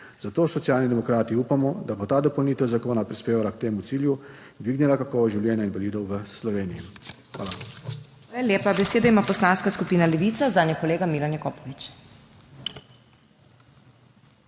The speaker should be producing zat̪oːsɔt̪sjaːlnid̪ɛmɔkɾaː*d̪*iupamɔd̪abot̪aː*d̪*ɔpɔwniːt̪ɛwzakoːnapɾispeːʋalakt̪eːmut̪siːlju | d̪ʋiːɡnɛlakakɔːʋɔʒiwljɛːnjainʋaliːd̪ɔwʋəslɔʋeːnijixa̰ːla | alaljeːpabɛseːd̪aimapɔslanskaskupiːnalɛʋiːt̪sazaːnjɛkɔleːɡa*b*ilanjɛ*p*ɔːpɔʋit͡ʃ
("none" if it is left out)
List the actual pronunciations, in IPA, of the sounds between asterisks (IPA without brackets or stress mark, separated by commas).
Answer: t̪, d̪, m, k